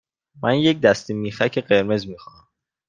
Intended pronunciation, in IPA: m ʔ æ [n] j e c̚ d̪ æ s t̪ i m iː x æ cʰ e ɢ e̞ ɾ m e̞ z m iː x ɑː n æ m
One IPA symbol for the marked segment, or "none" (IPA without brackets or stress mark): n